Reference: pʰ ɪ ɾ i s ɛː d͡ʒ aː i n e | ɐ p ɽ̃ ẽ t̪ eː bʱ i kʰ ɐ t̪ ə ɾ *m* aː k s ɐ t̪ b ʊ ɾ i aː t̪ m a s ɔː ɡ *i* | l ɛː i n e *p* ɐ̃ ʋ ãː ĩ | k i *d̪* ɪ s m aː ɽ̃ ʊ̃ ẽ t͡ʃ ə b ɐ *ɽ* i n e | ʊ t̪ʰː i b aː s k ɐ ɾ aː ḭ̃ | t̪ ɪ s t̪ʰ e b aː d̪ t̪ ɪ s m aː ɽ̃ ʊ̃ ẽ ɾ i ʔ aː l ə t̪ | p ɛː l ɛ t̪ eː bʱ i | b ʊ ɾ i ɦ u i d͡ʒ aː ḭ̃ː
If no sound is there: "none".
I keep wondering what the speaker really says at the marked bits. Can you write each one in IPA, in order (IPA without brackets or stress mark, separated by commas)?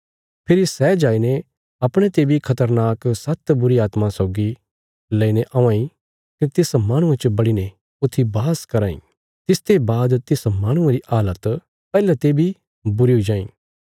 n, i, ʔ, t̪, ɽ